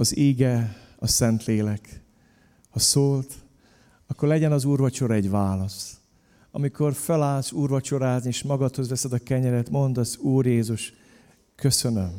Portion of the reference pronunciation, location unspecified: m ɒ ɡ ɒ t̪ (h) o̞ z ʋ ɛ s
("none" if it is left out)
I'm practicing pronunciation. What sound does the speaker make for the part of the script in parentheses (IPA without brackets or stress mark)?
h